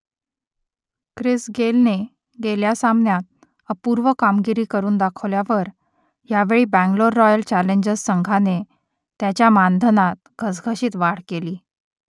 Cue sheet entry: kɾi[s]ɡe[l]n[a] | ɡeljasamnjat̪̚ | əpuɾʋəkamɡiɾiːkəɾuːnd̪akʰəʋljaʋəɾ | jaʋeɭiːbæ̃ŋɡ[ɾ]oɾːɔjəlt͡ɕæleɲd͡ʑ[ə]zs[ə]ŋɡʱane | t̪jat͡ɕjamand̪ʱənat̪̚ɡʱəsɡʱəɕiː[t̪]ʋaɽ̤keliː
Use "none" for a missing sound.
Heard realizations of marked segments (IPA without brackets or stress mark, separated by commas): s, l, e, l, ə, ə, t̪